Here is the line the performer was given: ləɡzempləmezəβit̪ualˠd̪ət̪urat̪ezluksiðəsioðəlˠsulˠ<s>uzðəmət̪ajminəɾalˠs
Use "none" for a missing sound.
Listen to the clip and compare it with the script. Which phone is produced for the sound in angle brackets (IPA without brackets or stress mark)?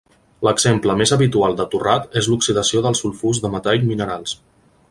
f